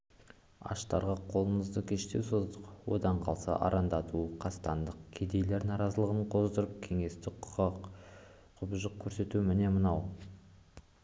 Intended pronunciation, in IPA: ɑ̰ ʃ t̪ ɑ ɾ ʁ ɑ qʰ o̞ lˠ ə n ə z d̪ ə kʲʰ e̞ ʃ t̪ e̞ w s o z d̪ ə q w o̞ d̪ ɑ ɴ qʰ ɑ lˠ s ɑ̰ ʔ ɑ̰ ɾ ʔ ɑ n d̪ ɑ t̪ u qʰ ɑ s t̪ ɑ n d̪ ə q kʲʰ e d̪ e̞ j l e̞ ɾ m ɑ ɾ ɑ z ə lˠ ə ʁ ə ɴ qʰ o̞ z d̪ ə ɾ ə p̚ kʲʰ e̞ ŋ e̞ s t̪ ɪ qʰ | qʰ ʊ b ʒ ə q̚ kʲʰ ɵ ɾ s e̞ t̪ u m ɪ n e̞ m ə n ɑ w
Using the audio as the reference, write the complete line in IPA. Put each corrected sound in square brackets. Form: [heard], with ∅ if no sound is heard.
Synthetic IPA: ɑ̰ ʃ t̪ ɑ ɾ ʁ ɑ qʰ o̞ lˠ ə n ə z d̪ ə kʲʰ e̞ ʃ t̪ e̞ w s o z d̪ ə q w o̞ d̪ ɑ ɴ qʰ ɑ lˠ s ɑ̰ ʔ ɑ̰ ɾ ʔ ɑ n d̪ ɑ t̪ u qʰ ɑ s t̪ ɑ n d̪ ə q kʲʰ e d̪ e̞ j l e̞ ɾ [n] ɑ ɾ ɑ z ə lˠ ə ʁ ə ɴ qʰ o̞ z d̪ ə ɾ ə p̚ kʲʰ e̞ ŋ e̞ s t̪ ɪ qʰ | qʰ ʊ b ʒ ə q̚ kʲʰ ɵ ɾ s e̞ t̪ u m ɪ n e̞ m ə n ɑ w

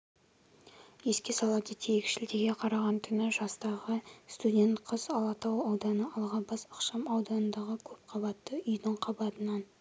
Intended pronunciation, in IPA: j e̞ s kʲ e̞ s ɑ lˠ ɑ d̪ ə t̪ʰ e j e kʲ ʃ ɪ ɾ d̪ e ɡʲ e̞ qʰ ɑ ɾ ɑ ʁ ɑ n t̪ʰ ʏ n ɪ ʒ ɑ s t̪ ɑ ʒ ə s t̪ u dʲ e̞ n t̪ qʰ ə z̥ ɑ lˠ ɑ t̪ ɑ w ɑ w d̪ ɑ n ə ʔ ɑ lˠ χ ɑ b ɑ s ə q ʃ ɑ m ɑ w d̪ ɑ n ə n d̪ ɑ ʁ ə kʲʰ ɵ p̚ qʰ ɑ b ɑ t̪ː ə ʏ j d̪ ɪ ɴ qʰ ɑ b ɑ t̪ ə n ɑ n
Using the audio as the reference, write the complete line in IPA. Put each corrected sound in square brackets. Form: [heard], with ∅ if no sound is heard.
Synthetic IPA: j e̞ s kʲ e̞ s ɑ lˠ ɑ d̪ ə t̪ʰ e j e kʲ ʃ ɪ [l] d̪ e ɡʲ e̞ qʰ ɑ ɾ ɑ ʁ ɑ n t̪ʰ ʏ n ɪ ʒ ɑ s t̪ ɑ [ʁ] ə s t̪ u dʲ e̞ n t̪ qʰ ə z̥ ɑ lˠ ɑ t̪ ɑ w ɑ w d̪ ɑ n ə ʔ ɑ lˠ [ʁ] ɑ b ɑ s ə q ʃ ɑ m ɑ w d̪ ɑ n ə n d̪ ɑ ʁ ə kʲʰ ɵ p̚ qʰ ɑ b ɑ t̪ː ə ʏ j d̪ ɪ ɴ qʰ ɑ b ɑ t̪ ə n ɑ n

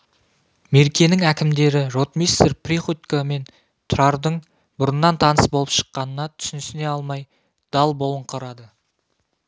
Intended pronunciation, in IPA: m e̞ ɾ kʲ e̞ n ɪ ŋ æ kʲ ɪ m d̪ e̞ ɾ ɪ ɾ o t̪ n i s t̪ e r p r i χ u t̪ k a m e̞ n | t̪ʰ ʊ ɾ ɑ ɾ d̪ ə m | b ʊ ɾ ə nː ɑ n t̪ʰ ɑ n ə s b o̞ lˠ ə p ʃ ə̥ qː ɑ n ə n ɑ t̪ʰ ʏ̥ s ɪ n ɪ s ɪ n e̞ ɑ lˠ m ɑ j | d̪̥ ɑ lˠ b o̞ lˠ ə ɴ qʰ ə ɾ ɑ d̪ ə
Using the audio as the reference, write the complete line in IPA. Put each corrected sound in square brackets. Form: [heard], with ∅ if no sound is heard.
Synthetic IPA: m e̞ ɾ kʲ e̞ n ɪ ŋ æ kʲ ɪ m d̪ e̞ ɾ ɪ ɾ o t̪ [m] i s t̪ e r p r i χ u t̪ k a m e̞ n | t̪ʰ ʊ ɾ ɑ ɾ d̪ ə [ɴ] | b ʊ ɾ ə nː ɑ n t̪ʰ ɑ n ə s b o̞ lˠ ə p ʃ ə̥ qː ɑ n ə n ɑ t̪ʰ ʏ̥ s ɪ n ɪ s ɪ n e̞ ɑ lˠ m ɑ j | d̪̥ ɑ lˠ b o̞ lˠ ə ɴ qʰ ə ɾ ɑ d̪ ə

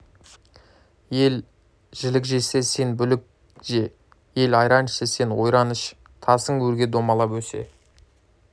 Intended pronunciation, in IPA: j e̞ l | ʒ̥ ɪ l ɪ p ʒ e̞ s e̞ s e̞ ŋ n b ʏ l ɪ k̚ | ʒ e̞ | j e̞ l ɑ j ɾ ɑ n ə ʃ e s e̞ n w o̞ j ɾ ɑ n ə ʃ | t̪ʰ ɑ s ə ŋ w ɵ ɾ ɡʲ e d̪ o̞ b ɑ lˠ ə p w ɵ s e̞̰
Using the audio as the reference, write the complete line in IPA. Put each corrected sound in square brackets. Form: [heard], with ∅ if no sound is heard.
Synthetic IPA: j e̞ l | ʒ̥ ɪ l ɪ [k] ʒ e̞ s e̞ s e̞ [∅] n b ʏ l ɪ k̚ | ʒ e̞ | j e̞ l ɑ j ɾ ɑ n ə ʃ e s e̞ n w o̞ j ɾ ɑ n ə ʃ | t̪ʰ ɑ s ə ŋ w ɵ ɾ ɡʲ e d̪ o̞ [m] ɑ lˠ [ɑ] p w ɵ s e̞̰

